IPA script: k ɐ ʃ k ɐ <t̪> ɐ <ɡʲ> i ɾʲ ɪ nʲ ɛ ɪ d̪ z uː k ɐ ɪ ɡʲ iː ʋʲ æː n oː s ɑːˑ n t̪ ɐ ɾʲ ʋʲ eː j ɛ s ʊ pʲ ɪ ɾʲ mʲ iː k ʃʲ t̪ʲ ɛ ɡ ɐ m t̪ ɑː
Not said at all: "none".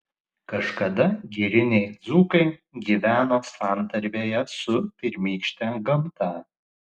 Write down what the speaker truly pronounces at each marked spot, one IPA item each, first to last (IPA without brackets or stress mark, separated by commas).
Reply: d̪, ɡʲ